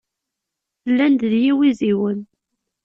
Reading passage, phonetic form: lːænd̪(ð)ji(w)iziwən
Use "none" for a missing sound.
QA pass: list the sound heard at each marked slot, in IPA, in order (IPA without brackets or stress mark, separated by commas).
ð, w